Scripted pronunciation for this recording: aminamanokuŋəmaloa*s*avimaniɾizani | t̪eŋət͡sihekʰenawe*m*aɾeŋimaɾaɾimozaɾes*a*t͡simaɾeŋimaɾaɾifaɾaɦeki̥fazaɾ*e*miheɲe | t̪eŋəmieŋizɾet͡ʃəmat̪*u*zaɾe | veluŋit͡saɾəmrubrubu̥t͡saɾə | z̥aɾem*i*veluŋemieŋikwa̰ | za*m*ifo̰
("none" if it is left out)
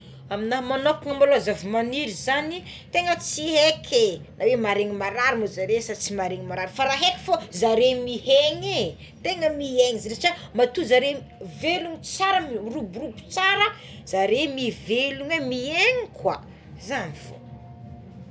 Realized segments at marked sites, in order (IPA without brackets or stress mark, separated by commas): z, m, a, e, u, i, n